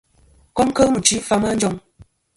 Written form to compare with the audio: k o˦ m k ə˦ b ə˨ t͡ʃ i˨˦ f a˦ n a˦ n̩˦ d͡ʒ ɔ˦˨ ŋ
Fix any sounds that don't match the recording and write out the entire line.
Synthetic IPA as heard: k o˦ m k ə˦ m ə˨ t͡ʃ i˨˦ f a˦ m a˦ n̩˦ d͡ʒ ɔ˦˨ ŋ